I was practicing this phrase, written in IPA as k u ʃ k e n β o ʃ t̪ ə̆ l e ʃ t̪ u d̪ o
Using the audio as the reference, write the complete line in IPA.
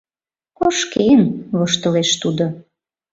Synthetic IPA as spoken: k o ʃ k e n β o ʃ t̪ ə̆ l e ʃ t̪ u d̪ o

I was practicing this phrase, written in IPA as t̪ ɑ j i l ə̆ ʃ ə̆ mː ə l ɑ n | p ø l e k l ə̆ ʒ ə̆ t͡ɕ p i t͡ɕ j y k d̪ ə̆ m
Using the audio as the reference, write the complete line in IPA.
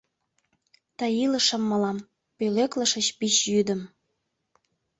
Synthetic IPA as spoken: t̪ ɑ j i l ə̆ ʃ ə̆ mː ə l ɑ m | p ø l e k l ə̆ ʃ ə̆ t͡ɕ p i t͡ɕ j y d̪ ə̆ m

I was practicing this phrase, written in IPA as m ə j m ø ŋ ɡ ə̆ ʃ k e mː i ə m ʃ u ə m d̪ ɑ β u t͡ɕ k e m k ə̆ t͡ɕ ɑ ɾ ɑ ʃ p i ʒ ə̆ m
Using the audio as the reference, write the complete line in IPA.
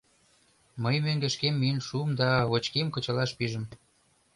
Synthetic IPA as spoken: m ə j m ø ŋ ɡ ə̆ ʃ k e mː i ə n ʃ u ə m d̪ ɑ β o t͡ɕ k e m k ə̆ t͡ɕ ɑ l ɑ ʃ p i ʒ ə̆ m

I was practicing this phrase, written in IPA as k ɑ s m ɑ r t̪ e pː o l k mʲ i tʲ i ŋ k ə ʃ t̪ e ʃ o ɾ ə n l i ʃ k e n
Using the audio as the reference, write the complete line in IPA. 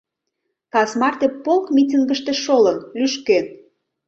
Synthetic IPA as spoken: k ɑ s m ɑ r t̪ e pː o l k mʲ i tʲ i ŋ ɡ ə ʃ t̪ e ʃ o l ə n l y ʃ k e n

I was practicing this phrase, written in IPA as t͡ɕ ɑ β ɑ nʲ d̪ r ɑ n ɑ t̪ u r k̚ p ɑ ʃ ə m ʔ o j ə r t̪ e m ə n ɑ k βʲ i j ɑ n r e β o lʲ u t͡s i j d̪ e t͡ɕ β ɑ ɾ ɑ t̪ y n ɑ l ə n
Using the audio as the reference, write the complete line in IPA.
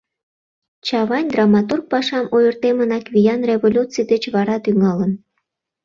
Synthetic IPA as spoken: t͡ɕ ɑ β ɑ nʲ d̪ r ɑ m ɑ t̪ u r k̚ p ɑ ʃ ɑ m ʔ o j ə r t̪ e m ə n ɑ k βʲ i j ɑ n r e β o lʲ u t͡s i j d̪ e t͡ɕ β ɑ ɾ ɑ t̪ y ŋ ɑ l ə n

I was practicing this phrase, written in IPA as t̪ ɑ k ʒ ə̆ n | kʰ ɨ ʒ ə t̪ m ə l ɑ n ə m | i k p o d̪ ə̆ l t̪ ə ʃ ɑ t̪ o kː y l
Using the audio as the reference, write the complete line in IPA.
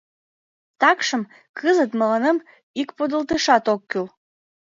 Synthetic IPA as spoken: t̪ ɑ k ʃ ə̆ m | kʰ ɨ z ə t̪ m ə l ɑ n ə m | i k p o d̪ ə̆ l t̪ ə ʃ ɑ t̪ o kː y l

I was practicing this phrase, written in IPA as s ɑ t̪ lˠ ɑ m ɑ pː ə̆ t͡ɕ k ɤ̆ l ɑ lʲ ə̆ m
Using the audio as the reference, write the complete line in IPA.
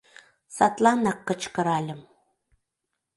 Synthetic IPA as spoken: s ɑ t̪ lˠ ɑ n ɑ kː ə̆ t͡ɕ k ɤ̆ ɾ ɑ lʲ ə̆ m

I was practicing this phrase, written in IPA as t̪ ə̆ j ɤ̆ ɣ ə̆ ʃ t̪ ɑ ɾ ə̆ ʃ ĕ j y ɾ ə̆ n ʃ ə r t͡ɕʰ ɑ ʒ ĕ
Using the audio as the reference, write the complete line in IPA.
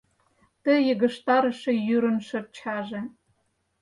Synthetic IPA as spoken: t̪ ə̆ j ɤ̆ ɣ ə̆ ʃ t̪ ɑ ɾ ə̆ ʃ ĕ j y ɾ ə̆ n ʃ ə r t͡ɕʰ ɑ ʒ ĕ

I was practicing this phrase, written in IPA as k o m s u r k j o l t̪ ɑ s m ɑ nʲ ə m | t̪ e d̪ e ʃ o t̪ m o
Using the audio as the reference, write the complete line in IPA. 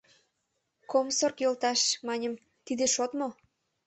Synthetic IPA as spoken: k o m s o r k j o l t̪ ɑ ʃ m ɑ nʲ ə m | t̪ i d̪ e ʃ o t̪ m o

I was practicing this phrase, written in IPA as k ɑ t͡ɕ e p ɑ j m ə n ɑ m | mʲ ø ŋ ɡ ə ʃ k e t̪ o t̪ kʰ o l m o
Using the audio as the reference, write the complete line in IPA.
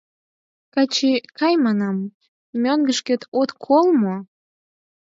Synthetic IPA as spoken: k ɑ t͡ɕ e k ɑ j m ɑ n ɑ m | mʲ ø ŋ ɡ ə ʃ k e t̪ o t̪ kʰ o l m o

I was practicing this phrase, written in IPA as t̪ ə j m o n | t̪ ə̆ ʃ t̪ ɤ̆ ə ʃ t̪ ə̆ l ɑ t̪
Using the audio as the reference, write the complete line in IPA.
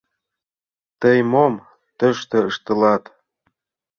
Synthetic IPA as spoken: t̪ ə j m o m | t̪ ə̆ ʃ t̪ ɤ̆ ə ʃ t̪ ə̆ l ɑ t̪

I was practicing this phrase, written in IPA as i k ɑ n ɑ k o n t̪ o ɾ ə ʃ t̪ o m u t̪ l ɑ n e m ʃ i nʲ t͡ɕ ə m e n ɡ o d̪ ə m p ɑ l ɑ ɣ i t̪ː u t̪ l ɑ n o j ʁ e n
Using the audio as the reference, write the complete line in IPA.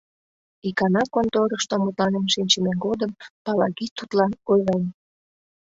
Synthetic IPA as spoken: i k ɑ n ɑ k o n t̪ o ɾ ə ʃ t̪ o m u t̪ l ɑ n e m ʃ i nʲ t͡ɕ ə m e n ɡ o d̪ ə m p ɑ l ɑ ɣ i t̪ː u t̪ l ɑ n o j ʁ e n

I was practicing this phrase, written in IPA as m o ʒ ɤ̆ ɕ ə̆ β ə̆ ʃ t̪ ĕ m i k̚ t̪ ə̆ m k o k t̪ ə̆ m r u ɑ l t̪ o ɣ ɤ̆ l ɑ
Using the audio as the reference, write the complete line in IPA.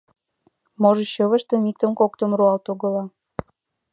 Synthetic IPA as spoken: m o ʒ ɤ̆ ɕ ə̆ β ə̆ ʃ t̪ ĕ m i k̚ t̪ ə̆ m k o k t̪ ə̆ m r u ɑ l t̪ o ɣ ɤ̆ l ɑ

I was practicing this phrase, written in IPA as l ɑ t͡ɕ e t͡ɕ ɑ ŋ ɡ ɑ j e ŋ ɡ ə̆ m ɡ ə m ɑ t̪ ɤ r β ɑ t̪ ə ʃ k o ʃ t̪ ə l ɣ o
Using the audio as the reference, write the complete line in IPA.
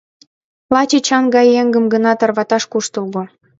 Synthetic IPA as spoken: l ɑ t͡ɕ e t͡ɕ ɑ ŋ ɡ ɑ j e ŋ ɡ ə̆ m ɡ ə n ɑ t̪ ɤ r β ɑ t̪ ɑ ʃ k u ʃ t̪ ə l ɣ o

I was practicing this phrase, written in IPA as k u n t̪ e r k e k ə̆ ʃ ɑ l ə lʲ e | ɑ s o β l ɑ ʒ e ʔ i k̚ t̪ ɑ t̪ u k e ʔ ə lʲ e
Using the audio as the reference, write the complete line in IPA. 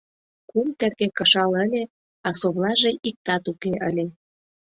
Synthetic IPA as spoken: k u m t̪ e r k e k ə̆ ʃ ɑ l ə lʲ e | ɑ s o β l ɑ ʒ e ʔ i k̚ t̪ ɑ t̪ u k e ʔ ə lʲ e

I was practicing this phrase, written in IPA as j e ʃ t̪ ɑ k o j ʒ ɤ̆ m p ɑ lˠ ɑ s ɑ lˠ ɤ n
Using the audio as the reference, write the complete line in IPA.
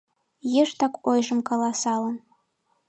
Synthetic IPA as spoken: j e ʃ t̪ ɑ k o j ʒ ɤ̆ m k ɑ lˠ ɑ s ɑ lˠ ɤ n

